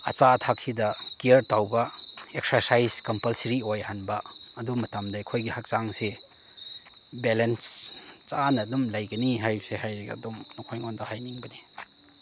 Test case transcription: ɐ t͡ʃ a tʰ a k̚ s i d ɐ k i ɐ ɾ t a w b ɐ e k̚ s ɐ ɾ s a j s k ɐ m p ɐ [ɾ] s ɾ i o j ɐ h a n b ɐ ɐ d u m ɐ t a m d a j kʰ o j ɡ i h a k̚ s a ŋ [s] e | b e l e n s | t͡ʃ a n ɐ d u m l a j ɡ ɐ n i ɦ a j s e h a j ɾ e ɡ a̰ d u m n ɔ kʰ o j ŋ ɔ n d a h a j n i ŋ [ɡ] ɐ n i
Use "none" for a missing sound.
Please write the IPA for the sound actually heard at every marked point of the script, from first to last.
l, s, b

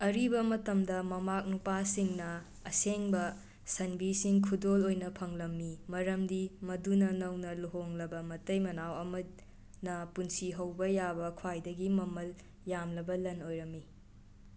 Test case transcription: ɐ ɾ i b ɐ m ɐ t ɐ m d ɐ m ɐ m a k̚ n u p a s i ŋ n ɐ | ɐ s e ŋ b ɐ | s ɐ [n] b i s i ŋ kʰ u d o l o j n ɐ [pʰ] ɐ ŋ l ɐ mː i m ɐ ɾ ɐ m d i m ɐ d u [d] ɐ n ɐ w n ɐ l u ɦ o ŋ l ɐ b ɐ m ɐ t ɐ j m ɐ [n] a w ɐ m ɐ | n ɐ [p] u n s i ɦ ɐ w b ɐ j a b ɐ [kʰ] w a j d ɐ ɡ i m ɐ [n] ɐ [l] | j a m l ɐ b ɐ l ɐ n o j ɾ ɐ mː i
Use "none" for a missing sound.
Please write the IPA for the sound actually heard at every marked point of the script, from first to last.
n, pʰ, n, n, p, kʰ, m, l

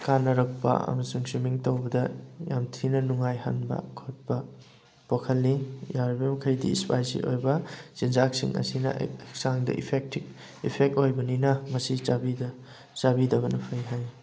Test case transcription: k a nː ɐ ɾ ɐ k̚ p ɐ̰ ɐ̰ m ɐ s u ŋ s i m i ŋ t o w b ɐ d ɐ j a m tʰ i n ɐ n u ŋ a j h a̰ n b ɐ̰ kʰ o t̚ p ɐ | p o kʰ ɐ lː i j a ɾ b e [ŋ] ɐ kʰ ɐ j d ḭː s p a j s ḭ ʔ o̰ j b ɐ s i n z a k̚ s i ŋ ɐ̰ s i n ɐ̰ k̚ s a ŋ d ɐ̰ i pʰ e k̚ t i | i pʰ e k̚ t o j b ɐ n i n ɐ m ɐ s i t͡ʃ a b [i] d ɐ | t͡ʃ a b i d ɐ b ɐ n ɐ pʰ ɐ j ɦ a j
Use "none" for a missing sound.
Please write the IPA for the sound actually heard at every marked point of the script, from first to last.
m, i

